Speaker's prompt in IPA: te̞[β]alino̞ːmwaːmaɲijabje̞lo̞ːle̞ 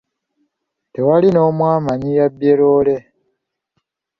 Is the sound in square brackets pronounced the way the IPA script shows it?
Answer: no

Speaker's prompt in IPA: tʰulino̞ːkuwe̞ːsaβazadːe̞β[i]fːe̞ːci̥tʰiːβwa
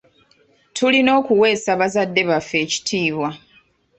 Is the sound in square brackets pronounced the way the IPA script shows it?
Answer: no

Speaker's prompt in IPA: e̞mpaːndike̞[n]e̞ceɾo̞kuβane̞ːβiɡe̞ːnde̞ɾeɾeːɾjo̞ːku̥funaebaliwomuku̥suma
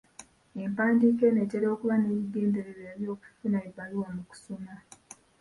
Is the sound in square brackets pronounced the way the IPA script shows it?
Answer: yes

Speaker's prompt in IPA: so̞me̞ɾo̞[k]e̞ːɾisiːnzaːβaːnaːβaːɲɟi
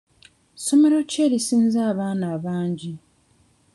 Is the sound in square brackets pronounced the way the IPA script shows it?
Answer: no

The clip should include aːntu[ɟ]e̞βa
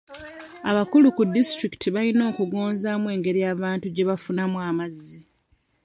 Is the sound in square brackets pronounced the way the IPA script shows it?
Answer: yes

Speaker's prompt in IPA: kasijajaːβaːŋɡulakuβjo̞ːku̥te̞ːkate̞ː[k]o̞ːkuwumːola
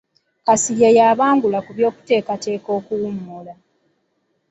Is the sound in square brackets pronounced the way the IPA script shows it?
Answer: yes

